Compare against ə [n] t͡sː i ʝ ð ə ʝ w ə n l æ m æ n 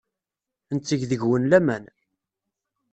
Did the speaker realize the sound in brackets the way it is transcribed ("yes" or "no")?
yes